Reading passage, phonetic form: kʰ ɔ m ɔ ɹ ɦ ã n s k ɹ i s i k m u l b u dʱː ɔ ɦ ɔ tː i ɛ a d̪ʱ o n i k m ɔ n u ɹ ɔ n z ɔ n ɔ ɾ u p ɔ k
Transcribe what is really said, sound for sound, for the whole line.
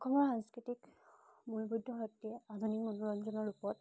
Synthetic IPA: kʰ ɔ m ɔ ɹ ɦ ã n s k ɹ i t i k m u l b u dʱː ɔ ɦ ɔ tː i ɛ a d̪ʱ u n i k m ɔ n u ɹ ɔ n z ɔ n ɔ ɹ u p ɔ t